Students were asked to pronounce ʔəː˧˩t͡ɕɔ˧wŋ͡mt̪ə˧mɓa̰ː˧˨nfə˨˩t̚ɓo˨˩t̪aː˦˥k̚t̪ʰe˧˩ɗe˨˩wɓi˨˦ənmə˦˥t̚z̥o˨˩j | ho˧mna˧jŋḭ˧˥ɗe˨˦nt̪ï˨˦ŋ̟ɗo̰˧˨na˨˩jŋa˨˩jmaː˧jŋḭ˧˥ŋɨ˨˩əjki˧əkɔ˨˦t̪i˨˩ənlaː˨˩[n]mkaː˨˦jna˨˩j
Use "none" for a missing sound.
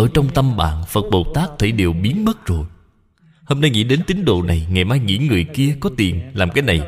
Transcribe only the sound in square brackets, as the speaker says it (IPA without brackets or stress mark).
none